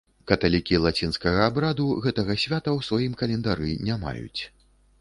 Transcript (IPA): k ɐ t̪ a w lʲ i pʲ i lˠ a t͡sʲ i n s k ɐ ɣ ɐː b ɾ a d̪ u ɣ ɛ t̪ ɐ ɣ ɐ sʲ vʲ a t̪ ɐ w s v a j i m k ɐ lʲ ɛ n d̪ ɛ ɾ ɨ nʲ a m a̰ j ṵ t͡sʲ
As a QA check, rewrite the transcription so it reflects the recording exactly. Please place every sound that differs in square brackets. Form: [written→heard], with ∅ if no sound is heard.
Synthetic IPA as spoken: k ɐ t̪ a [w→∅] lʲ i [pʲ→kʲ] i lˠ a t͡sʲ i n s k ɐ ɣ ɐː b ɾ a d̪ u ɣ ɛ t̪ ɐ ɣ ɐ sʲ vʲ a t̪ ɐ w s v a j i m k ɐ lʲ ɛ n d̪ [ɛ→a] ɾ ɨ nʲ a m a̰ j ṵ t͡sʲ